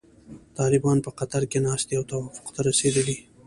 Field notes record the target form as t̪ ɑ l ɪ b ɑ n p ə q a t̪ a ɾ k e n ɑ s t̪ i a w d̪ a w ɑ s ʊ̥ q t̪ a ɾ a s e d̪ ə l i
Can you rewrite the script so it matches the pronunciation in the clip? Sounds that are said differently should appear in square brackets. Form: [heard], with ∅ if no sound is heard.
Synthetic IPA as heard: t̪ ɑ l ɪ b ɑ n p ə q a t̪ a ɾ k e n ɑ s t̪ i a w [t̪] a w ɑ [f] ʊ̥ q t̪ a ɾ a s e d̪ ə l i